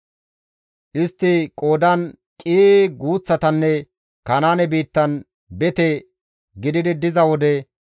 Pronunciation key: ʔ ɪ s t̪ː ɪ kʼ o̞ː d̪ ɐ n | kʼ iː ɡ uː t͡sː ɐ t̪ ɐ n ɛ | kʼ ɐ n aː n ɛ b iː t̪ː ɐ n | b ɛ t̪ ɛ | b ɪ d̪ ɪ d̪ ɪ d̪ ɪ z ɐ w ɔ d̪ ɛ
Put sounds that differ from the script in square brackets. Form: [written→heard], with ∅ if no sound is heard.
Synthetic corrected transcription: ʔ ɪ s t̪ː ɪ kʼ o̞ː d̪ ɐ n | kʼ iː ɡ uː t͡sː ɐ t̪ ɐ [n→nː] ɛ | [kʼ→k] ɐ n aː n ɛ b iː t̪ː ɐ n | b ɛ t̪ ɛ | [b→ɡ] ɪ d̪ ɪ d̪ ɪ d̪ ɪ z ɐ w ɔ d̪ ɛ